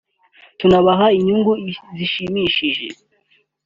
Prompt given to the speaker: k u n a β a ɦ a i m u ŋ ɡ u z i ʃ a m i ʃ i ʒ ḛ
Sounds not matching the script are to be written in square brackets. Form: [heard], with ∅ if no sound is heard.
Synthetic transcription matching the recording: [t] u n a β a ɦ a i [ɲ] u ŋ ɡ u z i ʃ [i] m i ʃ i ʒ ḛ